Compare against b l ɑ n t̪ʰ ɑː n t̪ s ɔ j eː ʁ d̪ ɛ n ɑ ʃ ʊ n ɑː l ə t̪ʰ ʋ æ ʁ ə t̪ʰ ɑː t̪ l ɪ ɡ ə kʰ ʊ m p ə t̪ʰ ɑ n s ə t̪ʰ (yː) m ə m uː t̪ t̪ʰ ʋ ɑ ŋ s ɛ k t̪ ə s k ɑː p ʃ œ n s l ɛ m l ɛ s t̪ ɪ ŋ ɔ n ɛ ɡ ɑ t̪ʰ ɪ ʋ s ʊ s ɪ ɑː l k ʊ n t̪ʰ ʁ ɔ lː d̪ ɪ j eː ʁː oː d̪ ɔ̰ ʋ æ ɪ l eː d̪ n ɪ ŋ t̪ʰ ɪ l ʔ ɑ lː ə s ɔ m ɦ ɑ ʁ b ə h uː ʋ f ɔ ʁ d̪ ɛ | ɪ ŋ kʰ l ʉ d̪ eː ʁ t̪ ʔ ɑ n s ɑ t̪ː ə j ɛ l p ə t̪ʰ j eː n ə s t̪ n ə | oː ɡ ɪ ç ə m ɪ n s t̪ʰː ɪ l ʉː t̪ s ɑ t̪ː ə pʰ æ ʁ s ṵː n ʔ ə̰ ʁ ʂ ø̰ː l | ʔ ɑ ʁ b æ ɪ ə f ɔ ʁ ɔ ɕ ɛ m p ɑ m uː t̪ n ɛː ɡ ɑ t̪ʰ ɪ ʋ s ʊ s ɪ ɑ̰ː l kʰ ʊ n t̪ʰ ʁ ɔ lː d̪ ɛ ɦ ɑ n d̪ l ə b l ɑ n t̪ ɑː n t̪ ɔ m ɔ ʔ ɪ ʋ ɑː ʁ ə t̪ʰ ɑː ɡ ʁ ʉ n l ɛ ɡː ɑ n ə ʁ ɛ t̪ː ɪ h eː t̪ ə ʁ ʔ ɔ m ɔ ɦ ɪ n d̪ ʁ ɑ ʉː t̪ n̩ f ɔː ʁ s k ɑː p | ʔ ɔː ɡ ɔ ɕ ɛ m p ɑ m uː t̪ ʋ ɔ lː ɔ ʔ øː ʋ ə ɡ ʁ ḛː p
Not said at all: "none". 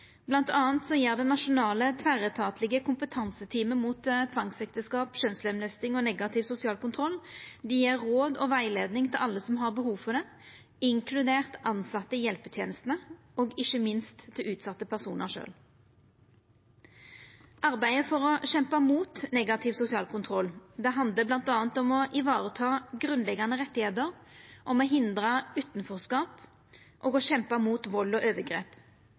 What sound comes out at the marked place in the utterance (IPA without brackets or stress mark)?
iː